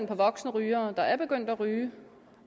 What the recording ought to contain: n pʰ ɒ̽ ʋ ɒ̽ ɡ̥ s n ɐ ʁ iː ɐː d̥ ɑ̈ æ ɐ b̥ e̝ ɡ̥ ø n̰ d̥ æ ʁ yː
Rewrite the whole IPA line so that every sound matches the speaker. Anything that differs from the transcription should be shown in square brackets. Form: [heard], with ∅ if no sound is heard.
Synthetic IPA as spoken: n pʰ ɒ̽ ʋ ɒ̽ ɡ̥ s n [ə] ʁ [yː] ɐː d̥ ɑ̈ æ ɐ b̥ e̝ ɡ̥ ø n̰ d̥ æ ʁ yː